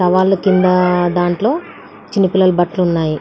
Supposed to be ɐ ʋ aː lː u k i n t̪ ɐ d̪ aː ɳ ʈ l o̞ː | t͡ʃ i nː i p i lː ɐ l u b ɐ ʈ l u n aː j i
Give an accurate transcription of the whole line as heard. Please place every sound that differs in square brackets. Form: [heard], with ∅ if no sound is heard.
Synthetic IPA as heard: ɐ ʋ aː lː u k i n [d̪] ɐ d̪ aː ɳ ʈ l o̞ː | t͡ʃ i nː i p i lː ɐ l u b ɐ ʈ l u [nː] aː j i